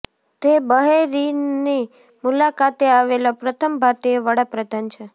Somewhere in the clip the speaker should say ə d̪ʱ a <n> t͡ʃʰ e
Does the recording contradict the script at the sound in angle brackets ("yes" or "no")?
no